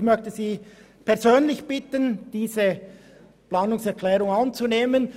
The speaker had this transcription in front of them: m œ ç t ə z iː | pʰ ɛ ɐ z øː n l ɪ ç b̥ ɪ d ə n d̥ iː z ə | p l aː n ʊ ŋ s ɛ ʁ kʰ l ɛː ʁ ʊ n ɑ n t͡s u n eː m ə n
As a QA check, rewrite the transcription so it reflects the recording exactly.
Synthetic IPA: m œ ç t ə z iː | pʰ ɛ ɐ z øː n l ɪ ç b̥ ɪ t ə n d̥ iː z ə | p l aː n ʊ ŋ s ɛ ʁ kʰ l ɛː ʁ ʊ ŋ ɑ n t͡s u n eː m ə n